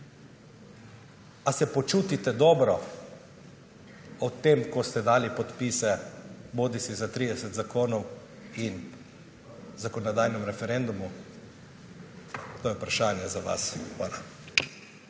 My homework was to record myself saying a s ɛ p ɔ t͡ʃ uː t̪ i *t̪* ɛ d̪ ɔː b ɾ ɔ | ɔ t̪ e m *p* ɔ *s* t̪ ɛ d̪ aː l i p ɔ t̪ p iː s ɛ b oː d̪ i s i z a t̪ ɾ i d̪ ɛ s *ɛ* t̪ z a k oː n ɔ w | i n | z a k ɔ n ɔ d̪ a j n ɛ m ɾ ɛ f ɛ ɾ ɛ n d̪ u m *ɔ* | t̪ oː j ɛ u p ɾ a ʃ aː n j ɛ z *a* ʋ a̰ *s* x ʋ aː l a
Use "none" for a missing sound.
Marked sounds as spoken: t̪, k, s, ɛ, u, a, s

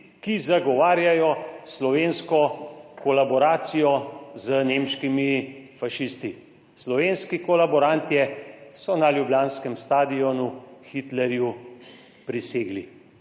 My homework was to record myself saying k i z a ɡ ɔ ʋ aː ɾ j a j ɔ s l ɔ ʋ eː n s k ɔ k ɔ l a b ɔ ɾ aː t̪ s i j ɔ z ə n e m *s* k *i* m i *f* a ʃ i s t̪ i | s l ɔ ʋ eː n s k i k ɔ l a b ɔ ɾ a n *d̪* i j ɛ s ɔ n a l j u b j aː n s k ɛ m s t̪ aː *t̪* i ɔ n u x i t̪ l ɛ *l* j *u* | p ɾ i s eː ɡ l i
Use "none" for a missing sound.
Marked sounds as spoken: ʃ, i, f, t̪, d̪, ɾ, u

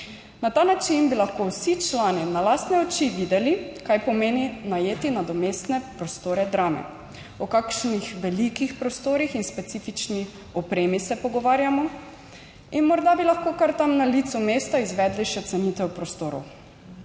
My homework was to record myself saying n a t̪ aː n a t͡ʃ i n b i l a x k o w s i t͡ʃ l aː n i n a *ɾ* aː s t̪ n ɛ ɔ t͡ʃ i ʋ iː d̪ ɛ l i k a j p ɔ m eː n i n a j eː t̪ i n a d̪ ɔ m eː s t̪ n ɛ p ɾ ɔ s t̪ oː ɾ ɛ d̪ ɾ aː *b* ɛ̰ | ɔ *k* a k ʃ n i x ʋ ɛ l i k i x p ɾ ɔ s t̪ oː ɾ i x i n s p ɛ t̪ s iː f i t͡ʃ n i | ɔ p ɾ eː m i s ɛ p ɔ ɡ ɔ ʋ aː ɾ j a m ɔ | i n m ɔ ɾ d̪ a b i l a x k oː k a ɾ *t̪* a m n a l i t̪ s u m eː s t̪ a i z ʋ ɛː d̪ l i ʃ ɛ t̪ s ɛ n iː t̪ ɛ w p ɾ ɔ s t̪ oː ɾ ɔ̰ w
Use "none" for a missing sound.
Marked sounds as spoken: l, m, k, t̪

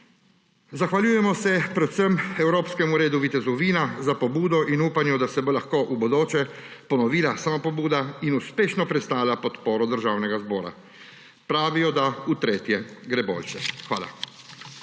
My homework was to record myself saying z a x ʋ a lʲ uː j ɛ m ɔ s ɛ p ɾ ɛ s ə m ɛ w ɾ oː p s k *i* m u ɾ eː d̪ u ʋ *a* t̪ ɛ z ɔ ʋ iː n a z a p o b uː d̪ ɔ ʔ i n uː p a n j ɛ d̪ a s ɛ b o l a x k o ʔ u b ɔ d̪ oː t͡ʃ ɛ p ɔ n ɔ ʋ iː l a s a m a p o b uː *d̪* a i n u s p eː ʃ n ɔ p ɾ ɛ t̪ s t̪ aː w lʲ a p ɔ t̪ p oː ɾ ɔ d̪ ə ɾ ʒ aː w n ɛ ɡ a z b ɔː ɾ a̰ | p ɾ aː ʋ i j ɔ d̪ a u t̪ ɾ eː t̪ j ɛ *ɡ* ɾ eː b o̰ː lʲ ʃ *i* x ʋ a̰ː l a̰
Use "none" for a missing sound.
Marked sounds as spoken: ɛ, i, d̪, ɡ, ɛ

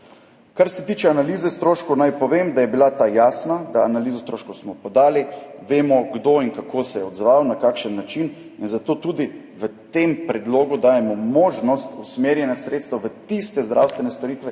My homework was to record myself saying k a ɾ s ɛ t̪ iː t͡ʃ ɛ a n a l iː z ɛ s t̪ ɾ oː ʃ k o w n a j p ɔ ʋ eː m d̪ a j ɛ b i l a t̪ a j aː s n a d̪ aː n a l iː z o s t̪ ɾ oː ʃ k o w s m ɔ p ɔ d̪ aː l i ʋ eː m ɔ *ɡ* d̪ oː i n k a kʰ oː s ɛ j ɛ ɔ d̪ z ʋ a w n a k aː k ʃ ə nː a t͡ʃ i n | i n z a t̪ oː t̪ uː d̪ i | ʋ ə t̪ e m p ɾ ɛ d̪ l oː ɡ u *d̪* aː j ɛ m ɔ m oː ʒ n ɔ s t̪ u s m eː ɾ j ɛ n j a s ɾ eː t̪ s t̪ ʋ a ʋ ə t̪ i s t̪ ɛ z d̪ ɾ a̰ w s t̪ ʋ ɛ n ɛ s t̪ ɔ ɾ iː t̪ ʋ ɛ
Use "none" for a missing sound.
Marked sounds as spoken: ɡ, d̪

